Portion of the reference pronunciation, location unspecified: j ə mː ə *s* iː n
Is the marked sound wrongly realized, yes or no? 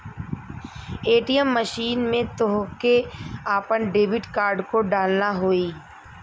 yes